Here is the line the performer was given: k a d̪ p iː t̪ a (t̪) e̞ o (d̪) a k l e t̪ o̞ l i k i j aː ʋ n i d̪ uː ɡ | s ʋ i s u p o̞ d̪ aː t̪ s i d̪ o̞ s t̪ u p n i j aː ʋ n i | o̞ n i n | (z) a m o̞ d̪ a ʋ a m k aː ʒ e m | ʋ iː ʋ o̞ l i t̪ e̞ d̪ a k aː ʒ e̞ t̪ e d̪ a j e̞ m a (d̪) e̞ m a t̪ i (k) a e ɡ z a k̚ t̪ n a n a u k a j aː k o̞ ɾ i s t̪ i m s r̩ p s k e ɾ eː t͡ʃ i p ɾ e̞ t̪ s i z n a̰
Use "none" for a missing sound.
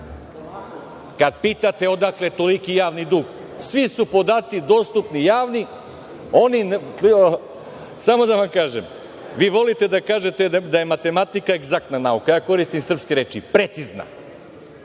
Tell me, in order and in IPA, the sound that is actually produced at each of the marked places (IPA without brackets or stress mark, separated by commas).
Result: t̪, d̪, s, t̪, k